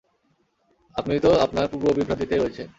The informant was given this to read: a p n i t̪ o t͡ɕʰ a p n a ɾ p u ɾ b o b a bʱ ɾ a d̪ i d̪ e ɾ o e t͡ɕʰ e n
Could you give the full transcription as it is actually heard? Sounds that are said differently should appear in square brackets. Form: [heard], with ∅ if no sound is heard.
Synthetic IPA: a p n i t̪ o [∅] a p n a ɾ p u ɾ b o b [i] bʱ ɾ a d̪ i [t̪] e ɾ o e t͡ɕʰ e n